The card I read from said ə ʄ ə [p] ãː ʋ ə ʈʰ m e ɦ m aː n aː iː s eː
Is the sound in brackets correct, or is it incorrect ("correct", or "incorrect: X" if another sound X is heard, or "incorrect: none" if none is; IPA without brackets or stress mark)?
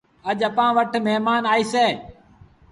correct